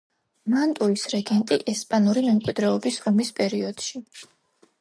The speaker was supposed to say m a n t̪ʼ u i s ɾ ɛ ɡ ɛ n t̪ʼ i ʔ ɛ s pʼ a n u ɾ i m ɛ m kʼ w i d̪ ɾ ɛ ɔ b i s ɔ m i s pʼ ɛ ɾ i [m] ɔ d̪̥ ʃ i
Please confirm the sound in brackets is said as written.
no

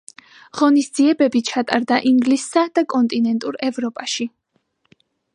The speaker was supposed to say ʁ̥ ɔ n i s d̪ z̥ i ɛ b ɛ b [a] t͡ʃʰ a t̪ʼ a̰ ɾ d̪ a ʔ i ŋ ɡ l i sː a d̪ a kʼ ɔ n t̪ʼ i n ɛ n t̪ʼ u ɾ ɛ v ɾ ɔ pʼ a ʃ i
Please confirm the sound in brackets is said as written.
no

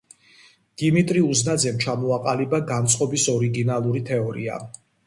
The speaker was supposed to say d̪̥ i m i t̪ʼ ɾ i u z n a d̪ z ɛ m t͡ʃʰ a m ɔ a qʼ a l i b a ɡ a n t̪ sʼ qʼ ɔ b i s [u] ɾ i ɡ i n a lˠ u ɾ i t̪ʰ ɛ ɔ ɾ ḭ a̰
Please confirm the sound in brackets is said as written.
no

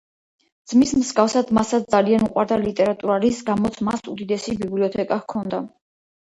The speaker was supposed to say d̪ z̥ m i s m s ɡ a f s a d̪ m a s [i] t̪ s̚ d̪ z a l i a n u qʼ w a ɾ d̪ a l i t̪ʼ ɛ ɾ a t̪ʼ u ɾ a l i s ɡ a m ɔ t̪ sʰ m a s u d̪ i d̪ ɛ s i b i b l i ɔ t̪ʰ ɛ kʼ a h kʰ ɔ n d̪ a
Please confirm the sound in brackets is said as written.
no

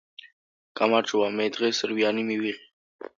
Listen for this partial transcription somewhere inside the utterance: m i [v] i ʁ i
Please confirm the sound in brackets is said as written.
no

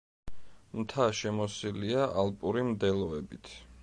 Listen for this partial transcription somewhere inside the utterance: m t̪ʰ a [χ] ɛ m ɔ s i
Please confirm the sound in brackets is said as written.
no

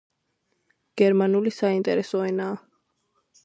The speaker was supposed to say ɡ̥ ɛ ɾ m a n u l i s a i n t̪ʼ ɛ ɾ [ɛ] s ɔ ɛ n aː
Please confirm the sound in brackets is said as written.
yes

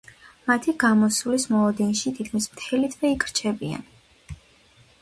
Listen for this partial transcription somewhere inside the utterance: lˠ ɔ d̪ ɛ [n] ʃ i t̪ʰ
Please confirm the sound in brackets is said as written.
yes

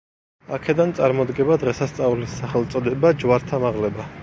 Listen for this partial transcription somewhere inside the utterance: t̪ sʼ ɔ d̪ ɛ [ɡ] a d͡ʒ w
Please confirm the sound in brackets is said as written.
no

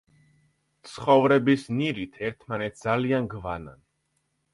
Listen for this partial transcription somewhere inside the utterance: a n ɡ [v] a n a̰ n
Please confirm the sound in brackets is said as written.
yes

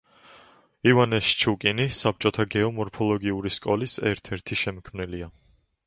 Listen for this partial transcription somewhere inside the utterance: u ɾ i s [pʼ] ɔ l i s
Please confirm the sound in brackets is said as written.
no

